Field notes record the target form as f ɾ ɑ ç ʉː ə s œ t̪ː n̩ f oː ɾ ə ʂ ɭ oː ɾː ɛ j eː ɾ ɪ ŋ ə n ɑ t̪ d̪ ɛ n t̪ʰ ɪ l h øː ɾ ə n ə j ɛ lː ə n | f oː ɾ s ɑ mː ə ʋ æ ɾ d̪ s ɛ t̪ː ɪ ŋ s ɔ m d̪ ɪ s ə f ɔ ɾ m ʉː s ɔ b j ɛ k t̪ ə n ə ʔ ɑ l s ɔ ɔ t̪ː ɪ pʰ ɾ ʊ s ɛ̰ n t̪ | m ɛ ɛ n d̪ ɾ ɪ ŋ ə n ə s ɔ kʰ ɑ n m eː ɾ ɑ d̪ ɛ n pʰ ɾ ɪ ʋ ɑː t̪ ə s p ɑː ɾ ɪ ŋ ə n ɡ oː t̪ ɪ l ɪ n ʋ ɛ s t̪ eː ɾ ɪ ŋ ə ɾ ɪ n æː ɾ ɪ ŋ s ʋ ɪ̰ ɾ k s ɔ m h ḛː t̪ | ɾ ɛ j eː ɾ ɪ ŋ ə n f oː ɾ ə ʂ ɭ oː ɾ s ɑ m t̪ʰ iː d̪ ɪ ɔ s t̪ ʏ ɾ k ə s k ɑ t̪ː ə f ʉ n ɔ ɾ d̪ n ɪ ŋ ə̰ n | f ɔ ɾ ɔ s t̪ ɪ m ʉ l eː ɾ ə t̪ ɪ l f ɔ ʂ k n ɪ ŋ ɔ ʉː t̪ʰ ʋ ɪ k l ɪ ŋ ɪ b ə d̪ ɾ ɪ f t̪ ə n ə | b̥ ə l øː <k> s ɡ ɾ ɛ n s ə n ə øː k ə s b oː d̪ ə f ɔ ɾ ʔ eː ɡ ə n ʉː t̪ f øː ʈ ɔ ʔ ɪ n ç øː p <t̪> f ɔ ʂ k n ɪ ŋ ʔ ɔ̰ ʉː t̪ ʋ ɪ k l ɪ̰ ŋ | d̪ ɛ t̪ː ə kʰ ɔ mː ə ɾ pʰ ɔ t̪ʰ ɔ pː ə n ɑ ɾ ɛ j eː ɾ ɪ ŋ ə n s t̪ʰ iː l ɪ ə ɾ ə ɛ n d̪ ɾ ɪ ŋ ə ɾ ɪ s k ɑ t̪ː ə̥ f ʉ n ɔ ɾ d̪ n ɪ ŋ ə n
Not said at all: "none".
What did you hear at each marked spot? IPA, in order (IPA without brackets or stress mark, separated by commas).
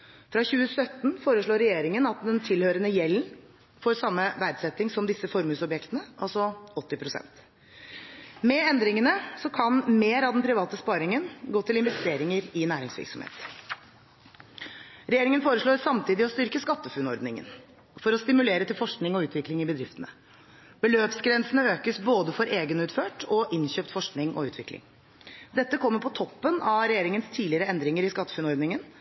p, t̪